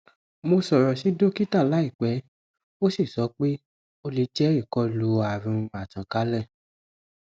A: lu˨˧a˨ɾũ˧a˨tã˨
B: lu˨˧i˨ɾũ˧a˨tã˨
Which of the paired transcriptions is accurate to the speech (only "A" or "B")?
A